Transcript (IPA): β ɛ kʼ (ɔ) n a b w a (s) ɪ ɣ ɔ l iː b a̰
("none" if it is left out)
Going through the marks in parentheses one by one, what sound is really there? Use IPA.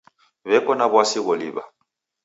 ɔ, s

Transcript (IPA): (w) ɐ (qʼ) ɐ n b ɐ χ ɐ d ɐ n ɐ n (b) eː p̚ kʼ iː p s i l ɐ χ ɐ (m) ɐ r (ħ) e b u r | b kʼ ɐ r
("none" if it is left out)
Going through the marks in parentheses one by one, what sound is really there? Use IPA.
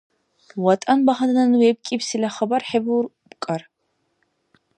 w, tʼ, w, b, ħ

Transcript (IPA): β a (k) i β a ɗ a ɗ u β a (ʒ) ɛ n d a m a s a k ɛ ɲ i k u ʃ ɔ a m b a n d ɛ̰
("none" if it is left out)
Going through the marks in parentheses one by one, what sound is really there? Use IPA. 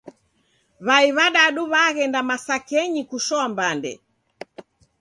none, ɣ

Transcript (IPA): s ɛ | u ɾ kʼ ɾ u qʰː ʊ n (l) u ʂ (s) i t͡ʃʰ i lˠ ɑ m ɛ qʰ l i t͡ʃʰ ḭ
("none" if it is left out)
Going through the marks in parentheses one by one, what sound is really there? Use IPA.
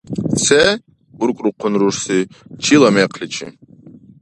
ɾ, s

